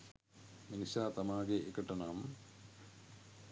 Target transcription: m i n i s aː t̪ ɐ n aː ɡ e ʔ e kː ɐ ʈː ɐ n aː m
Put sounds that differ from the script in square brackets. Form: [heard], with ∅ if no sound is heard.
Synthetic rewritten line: m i n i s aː t̪ ɐ [m] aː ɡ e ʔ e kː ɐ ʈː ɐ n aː m